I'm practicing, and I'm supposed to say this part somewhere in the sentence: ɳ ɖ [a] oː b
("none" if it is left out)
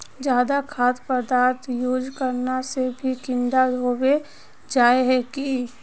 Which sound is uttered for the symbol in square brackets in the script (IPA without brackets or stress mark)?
a